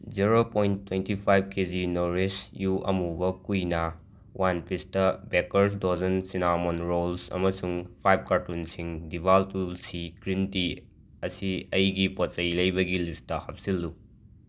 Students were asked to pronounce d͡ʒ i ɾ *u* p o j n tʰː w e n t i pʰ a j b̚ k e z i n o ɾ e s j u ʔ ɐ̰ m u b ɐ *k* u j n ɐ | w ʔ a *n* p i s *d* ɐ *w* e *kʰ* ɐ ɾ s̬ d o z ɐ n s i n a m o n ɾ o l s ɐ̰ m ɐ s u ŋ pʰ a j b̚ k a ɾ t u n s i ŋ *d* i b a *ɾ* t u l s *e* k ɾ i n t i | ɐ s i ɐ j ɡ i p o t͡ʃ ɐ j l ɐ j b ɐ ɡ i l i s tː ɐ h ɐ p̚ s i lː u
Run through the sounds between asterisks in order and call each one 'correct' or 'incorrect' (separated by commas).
incorrect, correct, correct, incorrect, incorrect, incorrect, correct, incorrect, incorrect